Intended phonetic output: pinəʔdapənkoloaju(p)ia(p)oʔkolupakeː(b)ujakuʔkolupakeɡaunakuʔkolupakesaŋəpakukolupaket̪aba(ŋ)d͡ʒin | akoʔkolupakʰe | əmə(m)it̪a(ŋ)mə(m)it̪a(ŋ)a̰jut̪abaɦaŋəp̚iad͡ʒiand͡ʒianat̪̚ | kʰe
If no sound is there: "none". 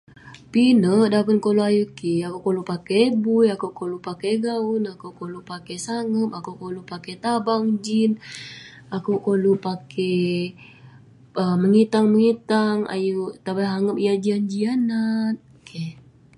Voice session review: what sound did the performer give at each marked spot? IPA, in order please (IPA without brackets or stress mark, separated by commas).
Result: k, k, b, ŋ, ŋ, ŋ, ŋ, ŋ